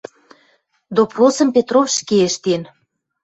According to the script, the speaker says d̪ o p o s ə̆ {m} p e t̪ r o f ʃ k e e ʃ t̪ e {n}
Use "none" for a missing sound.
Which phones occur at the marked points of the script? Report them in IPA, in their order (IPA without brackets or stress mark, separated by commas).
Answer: m, n